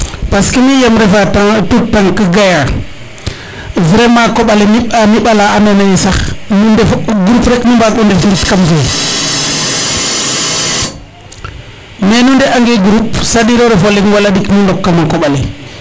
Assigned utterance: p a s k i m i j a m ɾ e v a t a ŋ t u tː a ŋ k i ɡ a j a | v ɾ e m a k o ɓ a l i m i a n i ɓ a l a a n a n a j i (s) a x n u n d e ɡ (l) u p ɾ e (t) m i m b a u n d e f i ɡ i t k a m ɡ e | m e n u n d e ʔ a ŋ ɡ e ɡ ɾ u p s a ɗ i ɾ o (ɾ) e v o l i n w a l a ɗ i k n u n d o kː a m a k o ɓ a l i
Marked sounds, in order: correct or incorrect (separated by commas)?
correct, incorrect, incorrect, correct